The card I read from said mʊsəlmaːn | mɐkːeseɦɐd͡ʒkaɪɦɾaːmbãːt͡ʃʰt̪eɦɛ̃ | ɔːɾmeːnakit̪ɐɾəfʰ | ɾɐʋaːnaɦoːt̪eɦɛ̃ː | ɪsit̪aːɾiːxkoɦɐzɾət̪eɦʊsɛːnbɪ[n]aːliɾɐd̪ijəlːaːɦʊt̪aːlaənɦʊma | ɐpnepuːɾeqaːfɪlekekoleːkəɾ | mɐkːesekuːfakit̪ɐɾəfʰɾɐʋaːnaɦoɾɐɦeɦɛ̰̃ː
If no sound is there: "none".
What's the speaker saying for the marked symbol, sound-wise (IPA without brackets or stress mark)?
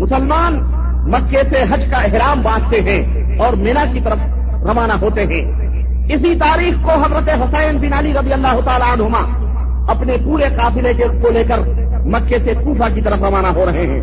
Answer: n